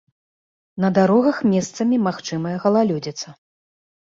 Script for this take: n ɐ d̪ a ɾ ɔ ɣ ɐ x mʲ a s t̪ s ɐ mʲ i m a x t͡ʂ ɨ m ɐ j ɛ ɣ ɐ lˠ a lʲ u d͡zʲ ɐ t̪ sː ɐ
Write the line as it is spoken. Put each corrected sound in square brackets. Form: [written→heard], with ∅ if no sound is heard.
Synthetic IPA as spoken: n ɐ d̪ a ɾ ɔ ɣ ɐ x mʲ [a→ɛ] s t̪ s ɐ mʲ i m a x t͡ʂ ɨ m ɐ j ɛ ɣ ɐ lˠ a lʲ u d͡zʲ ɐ t̪ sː ɐ